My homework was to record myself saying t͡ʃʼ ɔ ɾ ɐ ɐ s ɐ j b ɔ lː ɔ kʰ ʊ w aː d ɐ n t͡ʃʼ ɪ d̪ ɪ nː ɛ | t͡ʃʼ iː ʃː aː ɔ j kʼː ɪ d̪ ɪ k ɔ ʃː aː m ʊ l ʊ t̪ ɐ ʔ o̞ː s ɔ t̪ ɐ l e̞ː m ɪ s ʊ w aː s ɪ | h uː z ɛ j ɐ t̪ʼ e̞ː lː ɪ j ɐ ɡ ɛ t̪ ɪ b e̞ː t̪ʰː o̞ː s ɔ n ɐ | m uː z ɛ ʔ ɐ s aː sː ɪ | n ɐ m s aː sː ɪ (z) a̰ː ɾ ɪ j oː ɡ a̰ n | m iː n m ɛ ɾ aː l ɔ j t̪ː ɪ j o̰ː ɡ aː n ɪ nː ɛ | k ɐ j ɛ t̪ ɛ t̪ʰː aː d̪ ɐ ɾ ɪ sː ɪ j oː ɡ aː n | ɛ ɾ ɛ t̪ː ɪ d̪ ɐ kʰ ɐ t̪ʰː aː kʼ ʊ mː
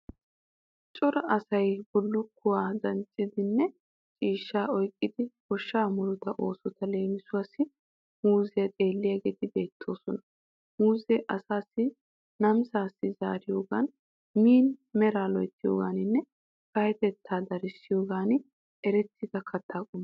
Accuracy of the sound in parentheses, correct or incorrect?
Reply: correct